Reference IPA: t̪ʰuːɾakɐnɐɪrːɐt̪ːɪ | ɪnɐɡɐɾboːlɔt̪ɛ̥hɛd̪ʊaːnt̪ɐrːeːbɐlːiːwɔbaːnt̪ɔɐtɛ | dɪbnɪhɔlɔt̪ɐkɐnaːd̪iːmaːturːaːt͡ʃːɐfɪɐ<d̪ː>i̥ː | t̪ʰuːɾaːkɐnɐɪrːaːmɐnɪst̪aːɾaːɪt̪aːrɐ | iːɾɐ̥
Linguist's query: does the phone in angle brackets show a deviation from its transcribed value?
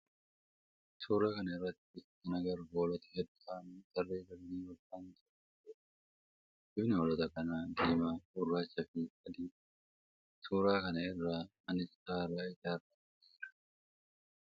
yes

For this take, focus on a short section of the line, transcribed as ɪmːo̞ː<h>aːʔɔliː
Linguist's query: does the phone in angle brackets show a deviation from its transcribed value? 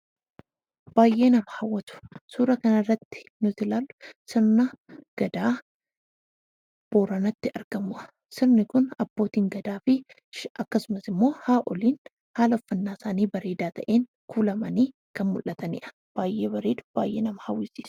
no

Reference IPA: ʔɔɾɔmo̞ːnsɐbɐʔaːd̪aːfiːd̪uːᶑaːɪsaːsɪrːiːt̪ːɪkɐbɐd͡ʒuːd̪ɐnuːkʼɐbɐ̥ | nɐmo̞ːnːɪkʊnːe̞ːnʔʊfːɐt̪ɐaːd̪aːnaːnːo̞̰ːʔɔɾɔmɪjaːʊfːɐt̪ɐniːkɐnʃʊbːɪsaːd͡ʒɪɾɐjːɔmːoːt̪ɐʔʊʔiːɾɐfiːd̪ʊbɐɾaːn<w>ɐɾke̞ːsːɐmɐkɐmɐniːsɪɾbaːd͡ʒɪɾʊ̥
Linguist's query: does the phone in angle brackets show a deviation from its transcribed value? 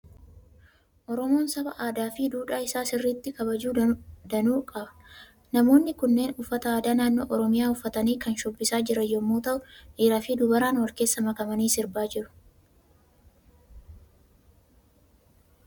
no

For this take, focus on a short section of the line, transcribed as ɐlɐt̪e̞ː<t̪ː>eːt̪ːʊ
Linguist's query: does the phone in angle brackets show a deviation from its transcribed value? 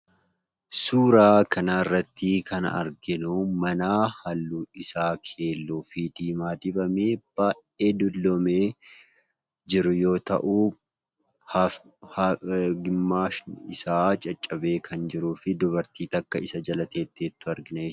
no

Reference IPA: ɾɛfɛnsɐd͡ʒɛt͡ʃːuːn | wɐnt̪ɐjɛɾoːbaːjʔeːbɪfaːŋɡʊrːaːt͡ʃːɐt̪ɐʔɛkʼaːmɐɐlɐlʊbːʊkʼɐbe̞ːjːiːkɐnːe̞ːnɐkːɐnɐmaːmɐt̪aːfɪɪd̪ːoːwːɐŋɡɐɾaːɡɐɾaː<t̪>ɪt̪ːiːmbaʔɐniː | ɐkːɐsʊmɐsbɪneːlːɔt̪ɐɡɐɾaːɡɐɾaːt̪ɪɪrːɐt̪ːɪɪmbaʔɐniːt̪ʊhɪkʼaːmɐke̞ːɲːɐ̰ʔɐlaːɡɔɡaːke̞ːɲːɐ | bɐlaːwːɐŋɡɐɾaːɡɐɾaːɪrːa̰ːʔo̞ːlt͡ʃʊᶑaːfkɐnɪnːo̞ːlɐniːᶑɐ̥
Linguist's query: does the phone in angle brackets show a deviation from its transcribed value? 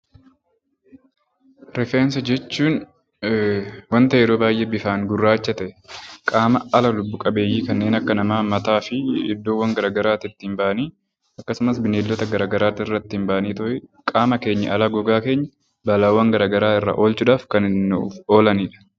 no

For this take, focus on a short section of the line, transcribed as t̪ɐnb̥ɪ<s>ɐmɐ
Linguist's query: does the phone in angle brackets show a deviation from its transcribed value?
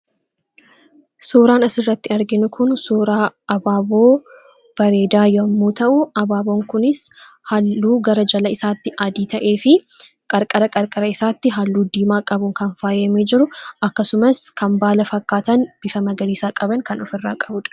yes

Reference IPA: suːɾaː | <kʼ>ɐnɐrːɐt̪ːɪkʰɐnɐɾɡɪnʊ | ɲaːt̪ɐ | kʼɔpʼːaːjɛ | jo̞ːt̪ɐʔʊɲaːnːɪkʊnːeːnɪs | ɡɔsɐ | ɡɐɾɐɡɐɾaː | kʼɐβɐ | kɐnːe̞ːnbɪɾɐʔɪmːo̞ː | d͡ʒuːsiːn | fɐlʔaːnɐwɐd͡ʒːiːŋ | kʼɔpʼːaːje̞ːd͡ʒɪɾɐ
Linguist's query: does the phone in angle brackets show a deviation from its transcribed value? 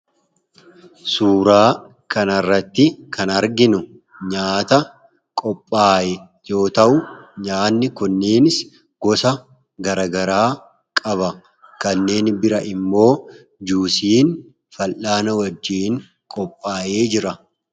yes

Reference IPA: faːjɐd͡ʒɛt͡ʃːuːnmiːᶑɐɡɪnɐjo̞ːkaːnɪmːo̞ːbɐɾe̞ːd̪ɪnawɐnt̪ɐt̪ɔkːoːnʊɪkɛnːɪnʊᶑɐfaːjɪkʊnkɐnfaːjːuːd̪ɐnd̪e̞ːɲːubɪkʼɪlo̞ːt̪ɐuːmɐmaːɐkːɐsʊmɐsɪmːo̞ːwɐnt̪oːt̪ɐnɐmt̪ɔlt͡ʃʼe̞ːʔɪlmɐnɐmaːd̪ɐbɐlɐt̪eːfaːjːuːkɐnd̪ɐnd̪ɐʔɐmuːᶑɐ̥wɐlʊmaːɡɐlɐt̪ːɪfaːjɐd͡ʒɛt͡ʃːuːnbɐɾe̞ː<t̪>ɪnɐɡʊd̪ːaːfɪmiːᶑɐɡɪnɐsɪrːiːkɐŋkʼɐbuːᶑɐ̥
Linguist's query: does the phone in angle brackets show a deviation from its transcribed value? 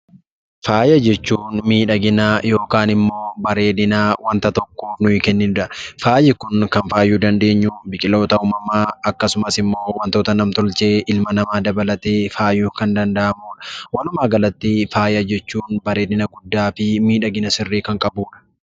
yes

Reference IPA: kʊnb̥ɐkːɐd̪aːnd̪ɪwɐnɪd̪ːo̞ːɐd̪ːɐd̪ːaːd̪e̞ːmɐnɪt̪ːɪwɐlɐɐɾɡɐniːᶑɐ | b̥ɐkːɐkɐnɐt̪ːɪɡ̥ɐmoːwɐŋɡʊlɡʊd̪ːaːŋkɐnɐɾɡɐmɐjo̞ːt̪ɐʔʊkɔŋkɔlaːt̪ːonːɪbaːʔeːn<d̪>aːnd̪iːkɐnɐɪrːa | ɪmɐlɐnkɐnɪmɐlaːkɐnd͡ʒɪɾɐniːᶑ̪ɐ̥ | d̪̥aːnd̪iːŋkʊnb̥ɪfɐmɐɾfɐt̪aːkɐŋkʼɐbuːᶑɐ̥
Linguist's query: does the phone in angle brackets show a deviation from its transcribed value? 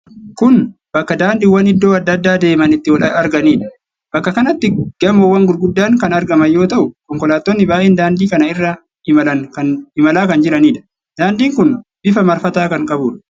no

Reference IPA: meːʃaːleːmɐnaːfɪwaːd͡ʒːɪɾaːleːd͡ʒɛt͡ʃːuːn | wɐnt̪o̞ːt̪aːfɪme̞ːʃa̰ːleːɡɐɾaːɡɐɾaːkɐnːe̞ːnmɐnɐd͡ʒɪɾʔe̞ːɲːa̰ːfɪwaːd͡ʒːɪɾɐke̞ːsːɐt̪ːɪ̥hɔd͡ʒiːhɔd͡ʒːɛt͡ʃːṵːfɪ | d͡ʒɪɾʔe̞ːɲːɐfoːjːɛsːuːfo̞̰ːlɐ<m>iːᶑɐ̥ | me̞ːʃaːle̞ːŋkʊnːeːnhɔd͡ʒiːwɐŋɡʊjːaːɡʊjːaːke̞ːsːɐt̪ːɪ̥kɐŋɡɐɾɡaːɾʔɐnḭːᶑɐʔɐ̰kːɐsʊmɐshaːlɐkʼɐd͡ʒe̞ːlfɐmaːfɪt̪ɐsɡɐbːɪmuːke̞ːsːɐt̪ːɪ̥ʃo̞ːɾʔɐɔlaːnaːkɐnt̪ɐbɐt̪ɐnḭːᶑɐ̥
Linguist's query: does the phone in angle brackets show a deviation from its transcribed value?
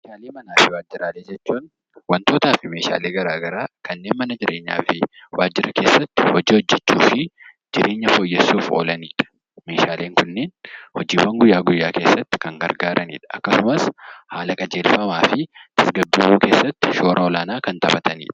yes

